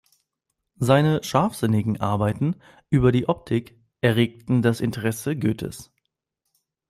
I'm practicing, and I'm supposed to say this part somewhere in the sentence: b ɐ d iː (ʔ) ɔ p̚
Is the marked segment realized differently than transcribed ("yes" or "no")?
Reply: no